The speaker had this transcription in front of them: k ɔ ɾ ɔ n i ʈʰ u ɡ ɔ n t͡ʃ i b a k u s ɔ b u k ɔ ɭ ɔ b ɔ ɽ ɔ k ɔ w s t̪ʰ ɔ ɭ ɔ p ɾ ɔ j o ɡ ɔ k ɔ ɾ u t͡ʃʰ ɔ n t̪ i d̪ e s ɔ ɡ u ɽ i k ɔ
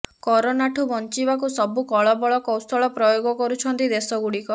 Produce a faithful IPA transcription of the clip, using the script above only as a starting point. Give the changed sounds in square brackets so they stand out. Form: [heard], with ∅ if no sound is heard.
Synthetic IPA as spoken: k ɔ ɾ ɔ n [a] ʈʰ u [b] ɔ n t͡ʃ i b a k u s ɔ b u k ɔ ɭ ɔ b ɔ [ɭ] ɔ k ɔ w s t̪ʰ ɔ ɭ ɔ p ɾ ɔ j o ɡ ɔ k ɔ ɾ u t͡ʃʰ ɔ n t̪ i d̪ e s ɔ ɡ u ɽ i k ɔ